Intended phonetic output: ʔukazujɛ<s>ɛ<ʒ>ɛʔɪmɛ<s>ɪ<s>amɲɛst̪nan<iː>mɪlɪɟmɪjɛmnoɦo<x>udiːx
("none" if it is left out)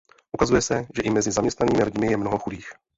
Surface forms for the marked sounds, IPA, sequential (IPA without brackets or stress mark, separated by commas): s, ʒ, z, z, iː, x